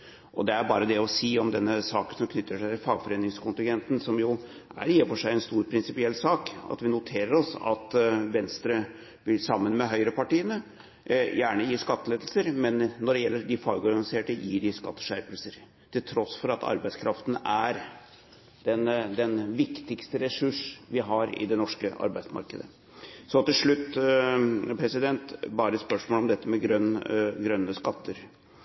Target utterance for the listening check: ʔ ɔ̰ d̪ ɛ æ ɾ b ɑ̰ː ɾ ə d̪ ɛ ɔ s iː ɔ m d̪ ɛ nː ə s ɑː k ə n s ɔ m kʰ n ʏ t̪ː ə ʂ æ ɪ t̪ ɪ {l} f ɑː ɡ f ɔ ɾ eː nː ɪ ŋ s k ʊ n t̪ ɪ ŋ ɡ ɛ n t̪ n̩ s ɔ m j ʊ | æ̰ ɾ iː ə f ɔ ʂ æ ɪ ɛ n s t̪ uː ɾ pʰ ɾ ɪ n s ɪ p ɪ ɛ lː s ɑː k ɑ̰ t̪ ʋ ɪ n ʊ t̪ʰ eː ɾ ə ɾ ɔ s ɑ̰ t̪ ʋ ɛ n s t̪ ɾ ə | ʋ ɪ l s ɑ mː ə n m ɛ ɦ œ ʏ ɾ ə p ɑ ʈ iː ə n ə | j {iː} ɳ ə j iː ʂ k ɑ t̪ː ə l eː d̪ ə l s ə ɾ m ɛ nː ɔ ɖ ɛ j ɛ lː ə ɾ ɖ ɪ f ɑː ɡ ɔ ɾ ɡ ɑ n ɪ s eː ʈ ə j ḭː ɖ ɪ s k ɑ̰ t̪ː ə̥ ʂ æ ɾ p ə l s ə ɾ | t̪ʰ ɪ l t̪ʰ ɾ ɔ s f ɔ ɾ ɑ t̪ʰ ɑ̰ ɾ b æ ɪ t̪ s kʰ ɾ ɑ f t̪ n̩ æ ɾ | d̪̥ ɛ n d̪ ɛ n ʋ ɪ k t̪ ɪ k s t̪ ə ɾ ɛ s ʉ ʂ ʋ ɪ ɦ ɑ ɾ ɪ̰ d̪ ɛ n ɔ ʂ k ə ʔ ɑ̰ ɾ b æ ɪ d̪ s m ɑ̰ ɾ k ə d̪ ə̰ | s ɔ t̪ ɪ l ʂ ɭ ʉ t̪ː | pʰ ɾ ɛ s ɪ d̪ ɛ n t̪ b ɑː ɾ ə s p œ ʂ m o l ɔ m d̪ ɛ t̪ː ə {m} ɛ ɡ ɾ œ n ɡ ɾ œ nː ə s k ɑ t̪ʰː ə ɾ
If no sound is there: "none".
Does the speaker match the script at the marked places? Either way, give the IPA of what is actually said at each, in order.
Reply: l, æː, m

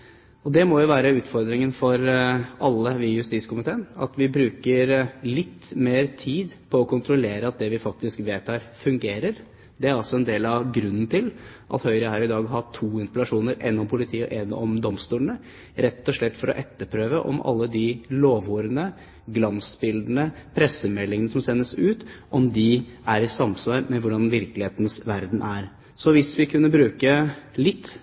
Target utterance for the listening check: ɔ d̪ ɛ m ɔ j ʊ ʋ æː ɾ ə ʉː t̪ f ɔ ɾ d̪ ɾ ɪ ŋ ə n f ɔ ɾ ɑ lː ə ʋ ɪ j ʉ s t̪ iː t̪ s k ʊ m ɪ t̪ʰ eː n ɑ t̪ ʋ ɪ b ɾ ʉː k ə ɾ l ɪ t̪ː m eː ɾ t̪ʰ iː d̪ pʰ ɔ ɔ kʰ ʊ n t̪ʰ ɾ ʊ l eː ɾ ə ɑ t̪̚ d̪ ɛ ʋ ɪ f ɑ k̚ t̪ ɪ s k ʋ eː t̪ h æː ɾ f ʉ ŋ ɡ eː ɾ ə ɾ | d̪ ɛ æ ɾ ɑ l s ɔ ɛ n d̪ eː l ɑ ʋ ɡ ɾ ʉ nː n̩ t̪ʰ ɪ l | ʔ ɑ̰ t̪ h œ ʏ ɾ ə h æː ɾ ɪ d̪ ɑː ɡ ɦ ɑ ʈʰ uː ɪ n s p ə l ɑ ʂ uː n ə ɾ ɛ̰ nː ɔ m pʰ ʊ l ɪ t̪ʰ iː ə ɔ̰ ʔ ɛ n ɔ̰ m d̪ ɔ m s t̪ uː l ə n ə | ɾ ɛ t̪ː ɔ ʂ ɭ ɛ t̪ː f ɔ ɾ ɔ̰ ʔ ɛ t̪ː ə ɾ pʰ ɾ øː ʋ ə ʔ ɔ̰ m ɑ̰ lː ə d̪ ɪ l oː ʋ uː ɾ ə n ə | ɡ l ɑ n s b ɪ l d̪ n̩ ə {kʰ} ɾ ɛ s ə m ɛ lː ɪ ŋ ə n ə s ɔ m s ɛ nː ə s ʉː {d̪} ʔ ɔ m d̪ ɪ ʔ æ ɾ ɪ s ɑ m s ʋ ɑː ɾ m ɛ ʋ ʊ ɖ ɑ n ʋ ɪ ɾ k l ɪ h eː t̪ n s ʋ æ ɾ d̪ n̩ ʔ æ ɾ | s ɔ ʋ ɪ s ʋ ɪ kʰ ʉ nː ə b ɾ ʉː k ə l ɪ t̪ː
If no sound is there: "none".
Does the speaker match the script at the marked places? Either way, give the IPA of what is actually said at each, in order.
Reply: pʰ, t̪

